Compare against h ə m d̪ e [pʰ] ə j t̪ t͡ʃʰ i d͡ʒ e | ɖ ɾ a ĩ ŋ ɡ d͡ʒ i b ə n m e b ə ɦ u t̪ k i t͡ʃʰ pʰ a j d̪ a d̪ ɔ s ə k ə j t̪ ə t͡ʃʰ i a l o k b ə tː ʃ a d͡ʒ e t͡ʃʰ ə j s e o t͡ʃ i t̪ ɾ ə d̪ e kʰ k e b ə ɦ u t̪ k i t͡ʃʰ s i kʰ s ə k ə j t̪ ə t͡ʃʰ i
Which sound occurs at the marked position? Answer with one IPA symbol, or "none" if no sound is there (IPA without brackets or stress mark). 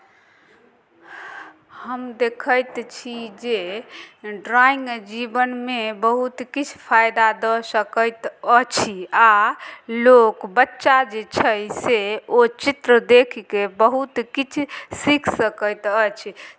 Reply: kʰ